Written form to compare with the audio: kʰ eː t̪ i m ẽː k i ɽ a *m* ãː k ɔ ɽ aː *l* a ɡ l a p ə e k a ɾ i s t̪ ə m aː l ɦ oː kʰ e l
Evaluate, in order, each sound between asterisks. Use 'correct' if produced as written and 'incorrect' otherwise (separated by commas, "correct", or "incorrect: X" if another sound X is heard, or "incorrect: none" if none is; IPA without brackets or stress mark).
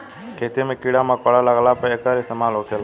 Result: correct, correct